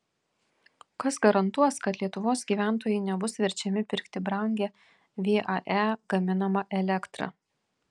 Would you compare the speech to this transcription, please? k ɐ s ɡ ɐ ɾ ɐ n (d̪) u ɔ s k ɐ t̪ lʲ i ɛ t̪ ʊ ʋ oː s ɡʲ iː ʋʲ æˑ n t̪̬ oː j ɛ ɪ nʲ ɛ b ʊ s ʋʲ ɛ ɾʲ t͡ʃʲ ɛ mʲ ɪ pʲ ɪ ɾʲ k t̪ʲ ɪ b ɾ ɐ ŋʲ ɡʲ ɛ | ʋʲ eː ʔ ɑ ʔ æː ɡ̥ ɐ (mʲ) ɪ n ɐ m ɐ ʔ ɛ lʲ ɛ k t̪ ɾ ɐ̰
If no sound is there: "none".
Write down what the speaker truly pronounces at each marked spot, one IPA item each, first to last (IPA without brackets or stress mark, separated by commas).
t̪, mʲ